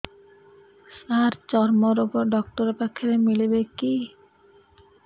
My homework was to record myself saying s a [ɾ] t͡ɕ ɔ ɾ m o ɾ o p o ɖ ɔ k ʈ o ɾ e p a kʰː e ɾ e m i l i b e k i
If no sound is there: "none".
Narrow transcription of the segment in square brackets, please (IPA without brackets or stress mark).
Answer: ɾ